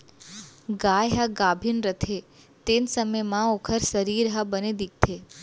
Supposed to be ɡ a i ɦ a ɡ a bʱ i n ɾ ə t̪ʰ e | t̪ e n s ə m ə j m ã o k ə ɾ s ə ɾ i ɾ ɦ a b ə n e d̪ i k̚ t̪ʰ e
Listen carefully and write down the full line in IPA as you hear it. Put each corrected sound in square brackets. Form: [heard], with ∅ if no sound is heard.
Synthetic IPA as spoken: ɡ a [j] ɦ a ɡ a bʱ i n ɾ ə t̪ʰ e | t̪ e n s ə m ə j m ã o [kʰ] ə ɾ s ə ɾ i ɾ ɦ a b ə n e d̪ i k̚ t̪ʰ e